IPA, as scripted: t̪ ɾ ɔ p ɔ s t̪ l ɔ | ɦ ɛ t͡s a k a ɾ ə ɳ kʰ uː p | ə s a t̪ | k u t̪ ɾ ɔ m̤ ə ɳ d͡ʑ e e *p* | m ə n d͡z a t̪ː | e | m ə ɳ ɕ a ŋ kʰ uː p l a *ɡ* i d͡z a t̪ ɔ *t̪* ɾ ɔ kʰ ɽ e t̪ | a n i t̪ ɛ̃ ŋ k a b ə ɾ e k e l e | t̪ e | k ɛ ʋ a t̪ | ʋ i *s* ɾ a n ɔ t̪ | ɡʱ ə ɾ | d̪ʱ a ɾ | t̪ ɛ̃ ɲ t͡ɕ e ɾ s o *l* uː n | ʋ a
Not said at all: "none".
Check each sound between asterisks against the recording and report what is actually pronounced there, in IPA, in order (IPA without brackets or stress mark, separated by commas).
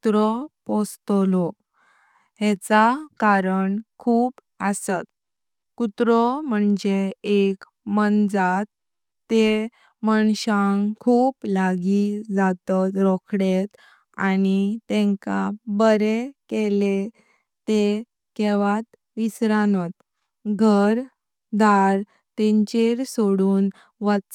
k, ɡ, t̪, s, ɽ